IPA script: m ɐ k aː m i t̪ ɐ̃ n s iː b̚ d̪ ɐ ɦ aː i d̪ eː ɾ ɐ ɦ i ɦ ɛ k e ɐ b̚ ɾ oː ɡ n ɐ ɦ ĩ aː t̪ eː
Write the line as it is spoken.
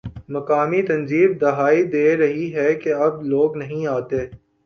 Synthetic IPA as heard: m ɐ k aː m i t̪ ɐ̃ n z iː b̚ d̪ ɐ ɦ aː i d̪ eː ɾ ɐ ɦ i ɦ ɛ k e ɐ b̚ l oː ɡ n ɐ ɦ ĩ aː t̪ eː

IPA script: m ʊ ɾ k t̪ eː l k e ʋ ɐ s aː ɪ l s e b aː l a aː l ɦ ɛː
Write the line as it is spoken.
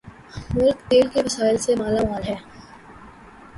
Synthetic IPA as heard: m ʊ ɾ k t̪ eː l k e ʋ ɐ s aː ɪ l s e m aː l a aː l ɦ ɛː

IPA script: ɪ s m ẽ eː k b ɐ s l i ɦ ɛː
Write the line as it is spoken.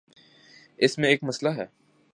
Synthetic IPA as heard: ɪ s m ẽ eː k m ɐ s l a ɦ ɛː

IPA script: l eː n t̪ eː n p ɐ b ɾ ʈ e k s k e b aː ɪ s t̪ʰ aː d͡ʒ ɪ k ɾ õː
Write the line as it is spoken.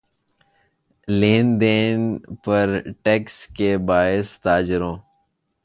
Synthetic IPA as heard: l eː n d̪ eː n p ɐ ɾ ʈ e k s k e b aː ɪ s t̪ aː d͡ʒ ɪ ɾ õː

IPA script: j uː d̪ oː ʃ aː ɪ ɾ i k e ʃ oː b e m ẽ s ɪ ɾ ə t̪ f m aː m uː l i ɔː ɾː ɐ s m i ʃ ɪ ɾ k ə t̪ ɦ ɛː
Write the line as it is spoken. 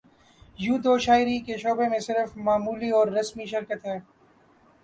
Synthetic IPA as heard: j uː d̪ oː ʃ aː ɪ ɾ i k e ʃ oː b e m ẽ s ɪ ɾ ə f m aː m uː l i ɔː ɾː ɐ s m i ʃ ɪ ɾ k ə t̪ ɦ ɛː

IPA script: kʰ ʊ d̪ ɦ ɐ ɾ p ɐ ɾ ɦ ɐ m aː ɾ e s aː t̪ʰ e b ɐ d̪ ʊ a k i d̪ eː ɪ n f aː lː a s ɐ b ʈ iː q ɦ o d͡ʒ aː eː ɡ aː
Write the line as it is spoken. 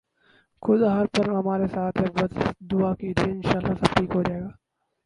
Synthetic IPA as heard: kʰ ʊ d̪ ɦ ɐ ɾ p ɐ ɾ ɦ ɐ m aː ɾ e s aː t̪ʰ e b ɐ d̪ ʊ a k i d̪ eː ɪ n ʃ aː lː a s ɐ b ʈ iː k ɦ o d͡ʒ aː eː ɡ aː

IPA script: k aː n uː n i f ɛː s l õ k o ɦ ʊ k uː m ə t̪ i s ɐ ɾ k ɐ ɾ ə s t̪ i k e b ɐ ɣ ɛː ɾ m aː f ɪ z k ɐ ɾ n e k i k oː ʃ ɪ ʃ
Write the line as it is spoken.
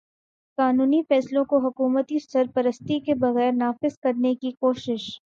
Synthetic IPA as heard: k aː n uː n i f ɛː s l õ k o ɦ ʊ k uː m ə t̪ i s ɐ ɾ p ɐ ɾ ə s t̪ i k e b ɐ ɣ ɛː ɾ n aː f ɪ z k ɐ ɾ n e k i k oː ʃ ɪ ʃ

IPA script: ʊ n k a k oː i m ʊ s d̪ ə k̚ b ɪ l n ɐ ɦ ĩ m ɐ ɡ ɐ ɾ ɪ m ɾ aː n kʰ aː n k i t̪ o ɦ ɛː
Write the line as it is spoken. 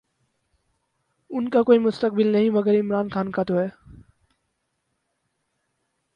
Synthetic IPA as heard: ʊ n k a k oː i m ʊ s t̪ ə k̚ b ɪ l n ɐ ɦ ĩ m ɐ ɡ ə ɾ ɪ m ɾ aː n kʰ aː n k a t̪ o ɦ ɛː

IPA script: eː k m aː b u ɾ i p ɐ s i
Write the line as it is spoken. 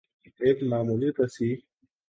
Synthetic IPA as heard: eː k m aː m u l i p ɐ s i

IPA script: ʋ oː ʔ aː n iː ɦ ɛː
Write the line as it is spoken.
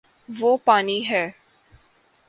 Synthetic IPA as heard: ʋ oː p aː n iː ɦ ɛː

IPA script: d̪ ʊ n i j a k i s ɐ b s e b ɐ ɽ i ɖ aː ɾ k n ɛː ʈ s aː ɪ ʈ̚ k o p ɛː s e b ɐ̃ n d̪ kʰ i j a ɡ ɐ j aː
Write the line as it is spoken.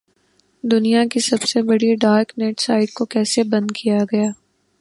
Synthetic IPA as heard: d̪ ʊ n i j a k i s ɐ b s e b ɐ ɽ i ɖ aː ɾ k n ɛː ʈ s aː ɪ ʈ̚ k o k ɛː s e b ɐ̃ n d̪ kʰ i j a ɡ ɐ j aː

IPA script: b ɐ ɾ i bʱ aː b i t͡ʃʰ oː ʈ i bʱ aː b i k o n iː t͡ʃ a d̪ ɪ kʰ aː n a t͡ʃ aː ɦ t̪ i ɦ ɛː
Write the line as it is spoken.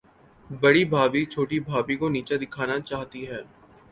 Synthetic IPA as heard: b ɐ ɽ i bʱ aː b i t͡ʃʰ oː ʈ i bʱ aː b i k o n iː t͡ʃ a d̪ ɪ kʰ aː n a t͡ʃ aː ɦ t̪ i ɦ ɛː

